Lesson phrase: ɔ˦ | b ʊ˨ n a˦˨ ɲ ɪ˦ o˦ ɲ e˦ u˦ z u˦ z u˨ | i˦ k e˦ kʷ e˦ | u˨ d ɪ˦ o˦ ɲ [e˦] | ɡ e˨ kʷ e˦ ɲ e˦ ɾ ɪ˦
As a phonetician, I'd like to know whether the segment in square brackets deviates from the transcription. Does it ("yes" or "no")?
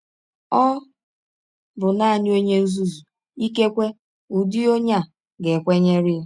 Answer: yes